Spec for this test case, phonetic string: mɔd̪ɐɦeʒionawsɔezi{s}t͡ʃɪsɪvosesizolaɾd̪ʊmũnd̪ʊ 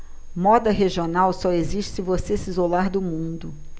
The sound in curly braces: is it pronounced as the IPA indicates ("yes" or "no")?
no